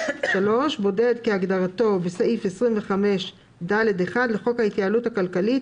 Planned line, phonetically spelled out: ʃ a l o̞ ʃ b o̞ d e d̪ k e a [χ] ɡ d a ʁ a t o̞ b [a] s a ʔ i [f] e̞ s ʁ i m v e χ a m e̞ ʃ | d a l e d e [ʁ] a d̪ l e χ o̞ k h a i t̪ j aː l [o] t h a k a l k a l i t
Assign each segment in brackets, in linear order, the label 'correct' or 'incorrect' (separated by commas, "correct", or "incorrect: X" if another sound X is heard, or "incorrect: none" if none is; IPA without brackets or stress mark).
incorrect: none, incorrect: e, correct, incorrect: χ, incorrect: u